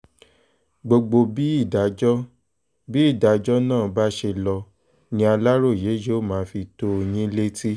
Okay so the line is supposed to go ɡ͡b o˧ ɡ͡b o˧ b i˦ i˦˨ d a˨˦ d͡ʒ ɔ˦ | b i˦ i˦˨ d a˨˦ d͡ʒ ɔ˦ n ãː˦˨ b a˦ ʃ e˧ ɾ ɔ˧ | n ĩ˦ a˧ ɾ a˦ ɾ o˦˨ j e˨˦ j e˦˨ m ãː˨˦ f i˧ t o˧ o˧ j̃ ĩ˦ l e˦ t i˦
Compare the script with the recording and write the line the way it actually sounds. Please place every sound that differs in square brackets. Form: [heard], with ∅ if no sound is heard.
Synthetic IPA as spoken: ɡ͡b o˧ ɡ͡b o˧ b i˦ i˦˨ d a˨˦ d͡ʒ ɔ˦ | b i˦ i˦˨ d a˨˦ d͡ʒ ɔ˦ n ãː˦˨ b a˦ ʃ e˧ [l] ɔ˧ | n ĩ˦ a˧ [l] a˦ ɾ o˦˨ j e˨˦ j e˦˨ m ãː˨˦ f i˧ t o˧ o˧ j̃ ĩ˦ l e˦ t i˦